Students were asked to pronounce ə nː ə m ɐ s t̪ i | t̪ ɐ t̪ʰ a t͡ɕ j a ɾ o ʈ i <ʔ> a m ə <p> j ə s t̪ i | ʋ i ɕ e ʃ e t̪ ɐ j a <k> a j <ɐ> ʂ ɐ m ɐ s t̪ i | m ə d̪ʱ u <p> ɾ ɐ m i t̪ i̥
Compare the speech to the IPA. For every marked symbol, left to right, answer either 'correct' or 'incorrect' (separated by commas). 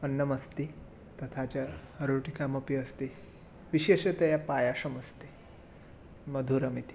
incorrect, correct, incorrect, incorrect, incorrect